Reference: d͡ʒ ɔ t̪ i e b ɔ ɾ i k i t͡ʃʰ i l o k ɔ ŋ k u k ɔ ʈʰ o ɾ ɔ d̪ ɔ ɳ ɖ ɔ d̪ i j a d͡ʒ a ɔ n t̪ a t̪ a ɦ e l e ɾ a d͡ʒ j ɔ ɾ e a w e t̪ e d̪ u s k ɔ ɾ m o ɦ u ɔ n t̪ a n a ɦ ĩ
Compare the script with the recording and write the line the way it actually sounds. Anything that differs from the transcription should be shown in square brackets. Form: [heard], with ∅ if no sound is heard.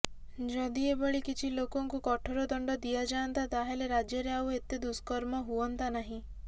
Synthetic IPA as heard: d͡ʒ ɔ [d̪] i e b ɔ [ɭ] i k i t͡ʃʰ i l o k ɔ ŋ k u k ɔ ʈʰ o ɾ ɔ d̪ ɔ ɳ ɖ ɔ d̪ i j a d͡ʒ a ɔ n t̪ a t̪ a ɦ e l e ɾ a d͡ʒ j ɔ ɾ e a w e t̪ e d̪ u s k ɔ ɾ m [ɔ] ɦ u ɔ n t̪ a n a ɦ ĩ